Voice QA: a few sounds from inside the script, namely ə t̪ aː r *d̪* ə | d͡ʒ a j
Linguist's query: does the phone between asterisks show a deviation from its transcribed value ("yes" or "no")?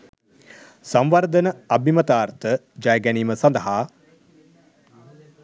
yes